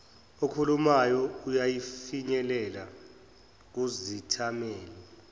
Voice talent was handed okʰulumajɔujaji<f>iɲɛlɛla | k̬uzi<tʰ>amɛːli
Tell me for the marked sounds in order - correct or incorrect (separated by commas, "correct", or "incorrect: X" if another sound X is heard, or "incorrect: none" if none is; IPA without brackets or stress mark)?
correct, correct